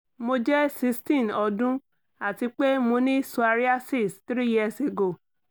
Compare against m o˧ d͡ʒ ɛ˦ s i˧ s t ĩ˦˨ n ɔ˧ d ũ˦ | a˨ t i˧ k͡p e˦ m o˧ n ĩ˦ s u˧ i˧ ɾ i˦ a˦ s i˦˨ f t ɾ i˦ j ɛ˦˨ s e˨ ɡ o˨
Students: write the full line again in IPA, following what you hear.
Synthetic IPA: m o˧ d͡ʒ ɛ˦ s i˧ s t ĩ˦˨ n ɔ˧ d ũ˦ | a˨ t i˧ k͡p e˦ m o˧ n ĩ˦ s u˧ a˧ ɾ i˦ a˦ s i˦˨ s t ɾ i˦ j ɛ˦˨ s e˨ ɡ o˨